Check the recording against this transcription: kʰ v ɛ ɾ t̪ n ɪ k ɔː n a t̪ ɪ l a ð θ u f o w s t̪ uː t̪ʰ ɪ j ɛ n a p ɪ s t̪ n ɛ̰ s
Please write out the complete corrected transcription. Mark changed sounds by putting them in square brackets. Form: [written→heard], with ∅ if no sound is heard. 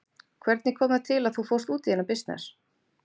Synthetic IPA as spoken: kʰ v ɛ ɾ t̪ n ɪ [k→kʰ] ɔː [n→m] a [t̪→t̪ʰ] ɪ l a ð θ u f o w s t̪ uː [t̪ʰ→t̪] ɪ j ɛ n a p ɪ s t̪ n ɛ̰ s